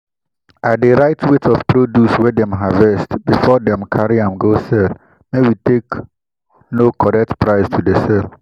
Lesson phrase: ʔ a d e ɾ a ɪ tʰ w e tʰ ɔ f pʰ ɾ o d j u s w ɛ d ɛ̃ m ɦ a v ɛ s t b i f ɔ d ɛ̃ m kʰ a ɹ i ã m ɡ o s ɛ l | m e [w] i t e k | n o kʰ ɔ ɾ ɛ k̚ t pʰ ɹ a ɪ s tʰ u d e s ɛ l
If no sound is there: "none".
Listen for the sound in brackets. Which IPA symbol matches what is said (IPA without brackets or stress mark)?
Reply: w